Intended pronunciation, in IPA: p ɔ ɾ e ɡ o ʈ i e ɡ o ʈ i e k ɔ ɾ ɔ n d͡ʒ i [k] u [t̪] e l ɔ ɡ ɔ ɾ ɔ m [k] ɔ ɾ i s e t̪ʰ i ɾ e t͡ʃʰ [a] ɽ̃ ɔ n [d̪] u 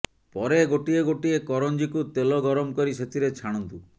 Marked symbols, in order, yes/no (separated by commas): yes, yes, yes, yes, no